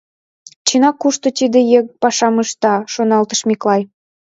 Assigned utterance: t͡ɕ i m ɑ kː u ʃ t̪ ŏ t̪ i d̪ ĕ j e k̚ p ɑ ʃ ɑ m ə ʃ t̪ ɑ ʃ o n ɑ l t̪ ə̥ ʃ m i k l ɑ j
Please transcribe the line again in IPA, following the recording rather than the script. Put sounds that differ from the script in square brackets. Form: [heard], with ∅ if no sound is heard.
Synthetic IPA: t͡ɕ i [n] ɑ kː u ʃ t̪ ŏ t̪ i d̪ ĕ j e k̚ p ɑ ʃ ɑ m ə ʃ t̪ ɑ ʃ o n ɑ l t̪ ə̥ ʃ m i k l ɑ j